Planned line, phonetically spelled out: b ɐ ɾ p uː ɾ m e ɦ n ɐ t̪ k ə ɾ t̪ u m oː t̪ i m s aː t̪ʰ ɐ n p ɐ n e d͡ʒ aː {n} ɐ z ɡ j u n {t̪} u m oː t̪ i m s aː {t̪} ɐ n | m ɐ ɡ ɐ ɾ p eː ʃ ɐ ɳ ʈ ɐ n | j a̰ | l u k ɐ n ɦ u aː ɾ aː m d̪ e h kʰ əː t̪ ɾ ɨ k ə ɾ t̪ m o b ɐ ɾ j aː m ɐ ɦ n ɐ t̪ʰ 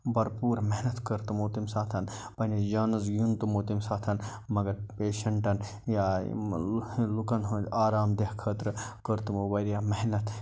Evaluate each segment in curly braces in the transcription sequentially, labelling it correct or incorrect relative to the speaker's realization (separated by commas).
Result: correct, correct, incorrect